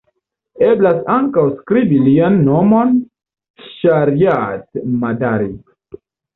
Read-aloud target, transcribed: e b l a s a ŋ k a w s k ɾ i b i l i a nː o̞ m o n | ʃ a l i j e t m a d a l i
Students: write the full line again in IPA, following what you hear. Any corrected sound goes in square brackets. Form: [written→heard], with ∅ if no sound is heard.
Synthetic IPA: e b l a s a ŋ k a w s k ɾ i b i l i a nː o̞ m o n | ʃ a [l→ɾ] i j [e→a] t m a d a [l→ɾ] i